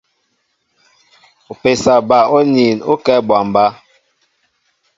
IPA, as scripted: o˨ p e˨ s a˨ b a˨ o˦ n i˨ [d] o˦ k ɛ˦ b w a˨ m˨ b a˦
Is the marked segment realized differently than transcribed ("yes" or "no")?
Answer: yes